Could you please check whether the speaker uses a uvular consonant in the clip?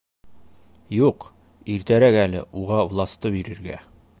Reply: yes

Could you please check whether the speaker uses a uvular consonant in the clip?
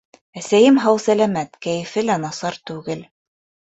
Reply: no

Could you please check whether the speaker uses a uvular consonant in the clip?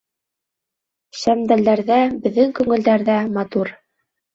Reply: no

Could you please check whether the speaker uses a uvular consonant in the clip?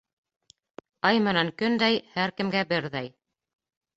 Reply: no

